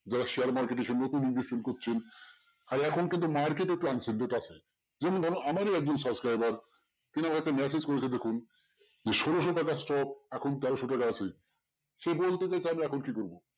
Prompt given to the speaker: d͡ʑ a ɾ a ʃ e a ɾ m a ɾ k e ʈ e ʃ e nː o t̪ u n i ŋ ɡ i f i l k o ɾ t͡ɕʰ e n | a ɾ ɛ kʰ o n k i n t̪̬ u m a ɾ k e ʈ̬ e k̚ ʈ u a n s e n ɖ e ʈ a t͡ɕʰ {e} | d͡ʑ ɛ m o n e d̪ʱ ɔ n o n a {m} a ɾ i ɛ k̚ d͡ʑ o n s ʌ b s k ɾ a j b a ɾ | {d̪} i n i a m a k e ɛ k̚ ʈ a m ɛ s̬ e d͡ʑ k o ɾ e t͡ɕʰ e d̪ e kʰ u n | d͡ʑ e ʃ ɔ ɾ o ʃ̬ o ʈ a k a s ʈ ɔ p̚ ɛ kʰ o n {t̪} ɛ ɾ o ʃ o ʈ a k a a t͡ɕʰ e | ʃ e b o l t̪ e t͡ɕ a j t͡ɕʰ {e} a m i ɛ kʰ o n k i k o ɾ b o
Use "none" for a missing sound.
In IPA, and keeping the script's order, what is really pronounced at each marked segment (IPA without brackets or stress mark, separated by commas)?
e, m, t̪, t̪, e